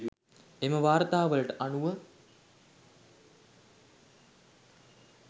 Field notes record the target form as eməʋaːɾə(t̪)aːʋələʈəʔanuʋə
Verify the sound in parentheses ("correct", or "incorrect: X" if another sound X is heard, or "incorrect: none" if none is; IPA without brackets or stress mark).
correct